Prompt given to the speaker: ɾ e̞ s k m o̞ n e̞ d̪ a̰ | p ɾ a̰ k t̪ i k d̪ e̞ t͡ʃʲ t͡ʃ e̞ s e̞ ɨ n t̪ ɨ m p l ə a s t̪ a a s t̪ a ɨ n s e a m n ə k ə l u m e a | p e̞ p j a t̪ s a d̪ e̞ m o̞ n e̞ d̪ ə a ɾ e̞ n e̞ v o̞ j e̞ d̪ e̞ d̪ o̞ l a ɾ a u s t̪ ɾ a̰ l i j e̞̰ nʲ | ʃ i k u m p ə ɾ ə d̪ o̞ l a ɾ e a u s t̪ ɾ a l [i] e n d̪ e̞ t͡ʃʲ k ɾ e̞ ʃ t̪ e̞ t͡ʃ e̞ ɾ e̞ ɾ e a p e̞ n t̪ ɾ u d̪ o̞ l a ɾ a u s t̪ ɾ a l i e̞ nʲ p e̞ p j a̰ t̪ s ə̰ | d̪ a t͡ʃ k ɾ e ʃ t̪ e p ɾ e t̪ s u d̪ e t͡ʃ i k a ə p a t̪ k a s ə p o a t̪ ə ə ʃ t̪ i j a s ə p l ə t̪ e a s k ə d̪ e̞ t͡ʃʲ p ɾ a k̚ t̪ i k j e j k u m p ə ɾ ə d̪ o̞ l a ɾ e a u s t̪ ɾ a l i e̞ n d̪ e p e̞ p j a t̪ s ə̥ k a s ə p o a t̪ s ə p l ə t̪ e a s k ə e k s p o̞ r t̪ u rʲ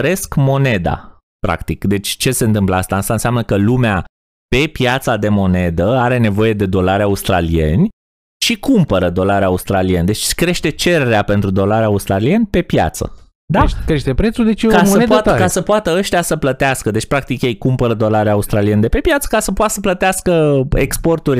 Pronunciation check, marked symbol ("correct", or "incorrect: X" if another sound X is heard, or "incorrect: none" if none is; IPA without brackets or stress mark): correct